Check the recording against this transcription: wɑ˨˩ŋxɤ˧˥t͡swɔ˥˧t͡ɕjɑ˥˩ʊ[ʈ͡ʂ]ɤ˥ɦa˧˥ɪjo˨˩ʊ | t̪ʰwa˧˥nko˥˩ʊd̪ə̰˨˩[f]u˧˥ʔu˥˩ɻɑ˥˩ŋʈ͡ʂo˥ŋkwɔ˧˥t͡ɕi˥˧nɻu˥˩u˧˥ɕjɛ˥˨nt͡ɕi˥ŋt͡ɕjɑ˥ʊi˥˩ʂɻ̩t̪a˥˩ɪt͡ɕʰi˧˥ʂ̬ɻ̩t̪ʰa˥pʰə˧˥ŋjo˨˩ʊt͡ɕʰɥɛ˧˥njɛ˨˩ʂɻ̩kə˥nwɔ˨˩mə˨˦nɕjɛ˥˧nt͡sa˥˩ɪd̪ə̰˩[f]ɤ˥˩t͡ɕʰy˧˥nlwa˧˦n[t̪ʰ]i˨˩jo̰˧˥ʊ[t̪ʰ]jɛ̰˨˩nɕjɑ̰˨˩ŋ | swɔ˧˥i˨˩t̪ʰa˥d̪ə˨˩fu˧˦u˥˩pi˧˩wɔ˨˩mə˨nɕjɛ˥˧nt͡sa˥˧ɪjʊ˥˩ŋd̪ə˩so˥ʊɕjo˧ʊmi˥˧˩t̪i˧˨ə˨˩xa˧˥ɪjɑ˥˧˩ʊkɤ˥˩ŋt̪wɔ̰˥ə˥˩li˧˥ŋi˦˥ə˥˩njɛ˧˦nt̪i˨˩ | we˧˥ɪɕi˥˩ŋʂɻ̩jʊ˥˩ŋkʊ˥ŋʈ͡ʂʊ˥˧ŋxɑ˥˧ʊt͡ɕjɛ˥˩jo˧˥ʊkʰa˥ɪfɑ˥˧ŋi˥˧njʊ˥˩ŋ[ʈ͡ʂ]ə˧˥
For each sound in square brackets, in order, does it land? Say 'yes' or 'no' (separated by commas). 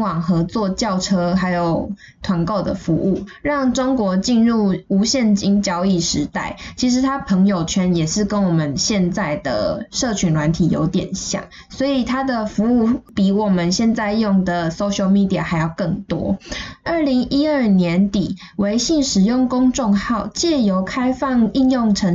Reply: no, yes, no, yes, no, no